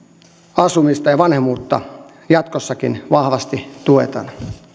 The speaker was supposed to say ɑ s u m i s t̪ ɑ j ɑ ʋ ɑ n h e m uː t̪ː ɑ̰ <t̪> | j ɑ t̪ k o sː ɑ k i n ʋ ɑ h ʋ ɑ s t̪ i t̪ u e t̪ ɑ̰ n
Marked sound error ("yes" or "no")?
yes